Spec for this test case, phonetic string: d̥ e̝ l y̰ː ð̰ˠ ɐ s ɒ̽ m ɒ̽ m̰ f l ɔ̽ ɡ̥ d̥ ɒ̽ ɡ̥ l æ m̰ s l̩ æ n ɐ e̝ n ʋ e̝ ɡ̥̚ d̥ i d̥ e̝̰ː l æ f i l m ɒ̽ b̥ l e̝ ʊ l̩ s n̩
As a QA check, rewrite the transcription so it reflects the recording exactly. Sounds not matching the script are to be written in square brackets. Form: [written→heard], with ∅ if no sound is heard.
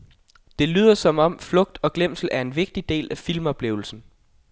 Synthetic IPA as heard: d̥ e̝ l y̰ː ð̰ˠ ɐ s ɒ̽ m ɒ̽ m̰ f l ɔ̽ ɡ̥ d̥ ɒ̽ ɡ̥ l [æ→e] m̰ s l̩ æ [n→∅] ɐ e̝ n ʋ e̝ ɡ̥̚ d̥ i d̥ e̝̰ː l æ f i l m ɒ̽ b̥ l e̝ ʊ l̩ s n̩